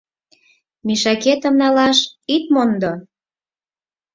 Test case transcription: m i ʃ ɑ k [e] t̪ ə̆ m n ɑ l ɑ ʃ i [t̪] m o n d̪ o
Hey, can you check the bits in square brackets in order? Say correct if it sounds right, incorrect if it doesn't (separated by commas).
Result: correct, correct